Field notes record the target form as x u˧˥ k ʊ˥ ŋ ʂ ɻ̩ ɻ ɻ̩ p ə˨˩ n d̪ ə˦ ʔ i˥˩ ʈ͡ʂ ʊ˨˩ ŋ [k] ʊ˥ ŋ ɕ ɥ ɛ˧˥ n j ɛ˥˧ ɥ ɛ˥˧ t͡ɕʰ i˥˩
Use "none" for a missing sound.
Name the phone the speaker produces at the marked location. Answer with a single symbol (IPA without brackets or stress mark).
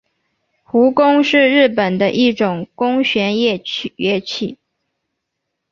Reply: k